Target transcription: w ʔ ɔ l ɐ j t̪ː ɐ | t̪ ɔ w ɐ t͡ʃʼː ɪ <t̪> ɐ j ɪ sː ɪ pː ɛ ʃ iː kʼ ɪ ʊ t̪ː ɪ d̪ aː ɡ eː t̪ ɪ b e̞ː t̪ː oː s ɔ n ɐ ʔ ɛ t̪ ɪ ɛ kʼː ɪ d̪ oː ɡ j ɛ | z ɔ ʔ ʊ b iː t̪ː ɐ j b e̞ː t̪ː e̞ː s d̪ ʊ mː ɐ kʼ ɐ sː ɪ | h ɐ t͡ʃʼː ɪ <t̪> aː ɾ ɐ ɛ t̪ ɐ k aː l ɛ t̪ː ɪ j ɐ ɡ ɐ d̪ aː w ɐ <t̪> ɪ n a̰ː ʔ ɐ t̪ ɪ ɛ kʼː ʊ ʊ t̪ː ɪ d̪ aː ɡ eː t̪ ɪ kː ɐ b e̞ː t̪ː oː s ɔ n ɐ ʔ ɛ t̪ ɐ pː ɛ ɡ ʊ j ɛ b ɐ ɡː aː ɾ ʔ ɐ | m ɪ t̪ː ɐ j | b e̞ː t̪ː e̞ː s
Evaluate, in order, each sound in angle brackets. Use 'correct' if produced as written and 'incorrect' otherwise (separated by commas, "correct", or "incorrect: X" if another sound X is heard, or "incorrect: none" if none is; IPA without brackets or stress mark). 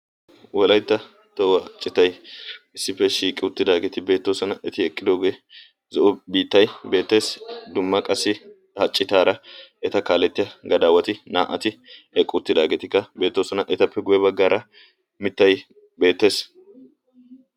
correct, correct, correct